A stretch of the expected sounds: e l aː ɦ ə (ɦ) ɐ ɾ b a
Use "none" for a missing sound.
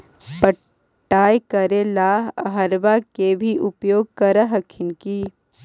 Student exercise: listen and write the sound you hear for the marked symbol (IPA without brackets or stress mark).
ɦ